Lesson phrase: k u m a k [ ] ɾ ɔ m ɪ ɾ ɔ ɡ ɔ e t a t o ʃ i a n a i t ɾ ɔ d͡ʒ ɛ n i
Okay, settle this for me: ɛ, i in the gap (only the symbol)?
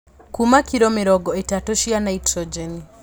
i